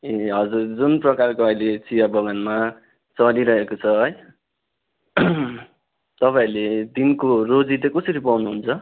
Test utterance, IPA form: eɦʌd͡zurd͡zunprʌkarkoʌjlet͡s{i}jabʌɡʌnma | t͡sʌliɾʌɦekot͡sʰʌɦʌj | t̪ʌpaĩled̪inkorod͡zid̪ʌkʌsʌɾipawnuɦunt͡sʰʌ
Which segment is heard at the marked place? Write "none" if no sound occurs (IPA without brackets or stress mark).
i